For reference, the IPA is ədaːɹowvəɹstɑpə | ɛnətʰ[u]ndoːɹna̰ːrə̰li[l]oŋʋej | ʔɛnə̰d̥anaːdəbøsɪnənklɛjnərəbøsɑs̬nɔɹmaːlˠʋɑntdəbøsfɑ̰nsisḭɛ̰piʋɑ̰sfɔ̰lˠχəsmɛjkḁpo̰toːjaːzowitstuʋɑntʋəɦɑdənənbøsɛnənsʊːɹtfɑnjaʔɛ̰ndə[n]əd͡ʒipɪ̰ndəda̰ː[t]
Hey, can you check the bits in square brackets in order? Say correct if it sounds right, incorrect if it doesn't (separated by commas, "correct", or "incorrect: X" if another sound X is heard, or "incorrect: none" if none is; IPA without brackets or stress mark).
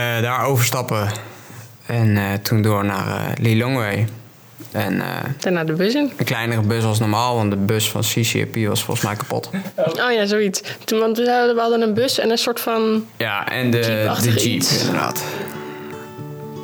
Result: correct, correct, incorrect: d, correct